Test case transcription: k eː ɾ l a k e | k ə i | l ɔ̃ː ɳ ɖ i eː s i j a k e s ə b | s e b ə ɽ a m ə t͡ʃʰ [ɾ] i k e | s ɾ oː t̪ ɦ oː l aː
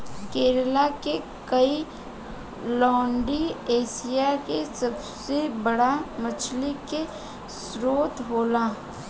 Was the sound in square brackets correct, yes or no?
no